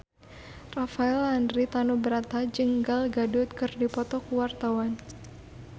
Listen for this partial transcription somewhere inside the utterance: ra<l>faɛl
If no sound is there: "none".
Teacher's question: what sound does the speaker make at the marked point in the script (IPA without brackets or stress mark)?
none